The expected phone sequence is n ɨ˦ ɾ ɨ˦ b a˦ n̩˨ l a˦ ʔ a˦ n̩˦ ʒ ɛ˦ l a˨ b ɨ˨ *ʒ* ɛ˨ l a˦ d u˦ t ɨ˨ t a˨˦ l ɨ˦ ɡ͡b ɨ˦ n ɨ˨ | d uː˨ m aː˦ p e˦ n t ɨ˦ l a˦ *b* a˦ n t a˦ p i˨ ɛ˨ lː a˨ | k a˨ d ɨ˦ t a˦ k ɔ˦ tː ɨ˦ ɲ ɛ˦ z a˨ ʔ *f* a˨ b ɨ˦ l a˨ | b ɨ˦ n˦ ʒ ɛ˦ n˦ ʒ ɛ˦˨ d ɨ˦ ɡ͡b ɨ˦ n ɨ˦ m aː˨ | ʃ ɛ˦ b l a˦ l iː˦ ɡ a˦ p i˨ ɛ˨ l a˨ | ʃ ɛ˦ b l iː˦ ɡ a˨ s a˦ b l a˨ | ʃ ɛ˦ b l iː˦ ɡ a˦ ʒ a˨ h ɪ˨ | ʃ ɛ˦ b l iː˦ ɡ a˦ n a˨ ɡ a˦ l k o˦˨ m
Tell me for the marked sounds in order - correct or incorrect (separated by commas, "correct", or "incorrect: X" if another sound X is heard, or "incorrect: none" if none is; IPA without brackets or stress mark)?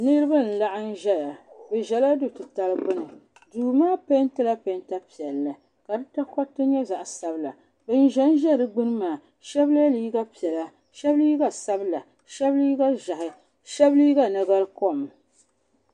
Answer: correct, incorrect: p, incorrect: s